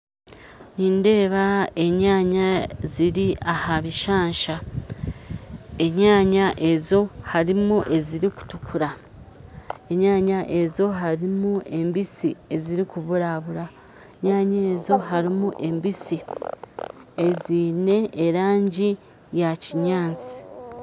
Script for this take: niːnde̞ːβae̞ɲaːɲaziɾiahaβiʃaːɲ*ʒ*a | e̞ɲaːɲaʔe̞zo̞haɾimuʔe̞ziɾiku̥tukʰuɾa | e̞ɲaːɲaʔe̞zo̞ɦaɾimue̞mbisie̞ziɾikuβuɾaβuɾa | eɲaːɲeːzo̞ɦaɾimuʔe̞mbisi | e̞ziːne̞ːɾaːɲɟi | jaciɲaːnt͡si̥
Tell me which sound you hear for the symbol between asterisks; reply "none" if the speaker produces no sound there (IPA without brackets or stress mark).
ʃ